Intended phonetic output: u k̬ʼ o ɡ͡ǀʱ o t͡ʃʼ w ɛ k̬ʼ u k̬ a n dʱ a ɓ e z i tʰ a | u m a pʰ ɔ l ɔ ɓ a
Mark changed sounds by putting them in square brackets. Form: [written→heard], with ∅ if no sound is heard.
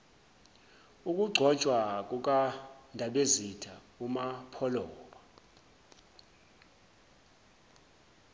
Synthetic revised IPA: u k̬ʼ [o→u] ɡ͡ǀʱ [o→ɔ] t͡ʃʼ w [ɛ→a] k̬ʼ u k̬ a n dʱ a ɓ e z i tʰ a | u m a pʰ ɔ l [ɔ→ɔː] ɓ a